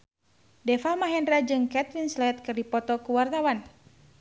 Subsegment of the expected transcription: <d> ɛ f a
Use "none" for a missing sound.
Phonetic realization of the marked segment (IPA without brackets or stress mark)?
d